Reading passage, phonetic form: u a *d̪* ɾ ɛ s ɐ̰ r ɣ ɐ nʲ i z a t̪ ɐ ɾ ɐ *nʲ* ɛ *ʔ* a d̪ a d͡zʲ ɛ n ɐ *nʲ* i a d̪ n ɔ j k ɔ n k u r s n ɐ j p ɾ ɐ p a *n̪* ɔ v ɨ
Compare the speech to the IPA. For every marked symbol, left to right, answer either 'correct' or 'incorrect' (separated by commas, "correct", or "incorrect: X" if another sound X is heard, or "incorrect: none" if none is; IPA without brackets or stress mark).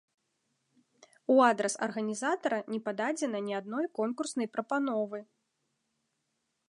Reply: correct, correct, incorrect: p, correct, correct